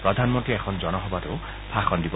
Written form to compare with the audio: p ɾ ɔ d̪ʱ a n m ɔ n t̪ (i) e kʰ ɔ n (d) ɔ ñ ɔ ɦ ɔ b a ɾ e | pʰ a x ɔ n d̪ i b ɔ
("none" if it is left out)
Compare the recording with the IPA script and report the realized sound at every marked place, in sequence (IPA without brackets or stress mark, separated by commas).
i, d͡ʒ